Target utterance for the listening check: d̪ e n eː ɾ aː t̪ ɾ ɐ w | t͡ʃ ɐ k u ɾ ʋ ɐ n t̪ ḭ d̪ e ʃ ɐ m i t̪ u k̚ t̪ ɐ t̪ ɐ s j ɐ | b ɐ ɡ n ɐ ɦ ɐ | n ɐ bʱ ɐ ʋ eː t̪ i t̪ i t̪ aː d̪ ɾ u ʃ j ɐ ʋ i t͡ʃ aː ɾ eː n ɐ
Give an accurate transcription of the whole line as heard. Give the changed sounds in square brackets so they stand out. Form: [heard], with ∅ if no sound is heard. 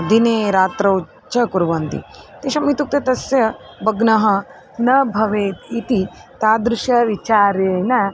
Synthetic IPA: d̪ [i] n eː ɾ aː t̪ ɾ ɐ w | t͡ʃ ɐ k u ɾ ʋ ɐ n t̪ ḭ [t̪] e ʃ ɐ m i t̪ u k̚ t̪ ɐ t̪ ɐ s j ɐ | b ɐ ɡ n ɐ ɦ ɐ | n ɐ bʱ ɐ ʋ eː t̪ i t̪ i t̪ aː d̪ ɾ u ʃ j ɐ ʋ i t͡ʃ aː ɾ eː n ɐ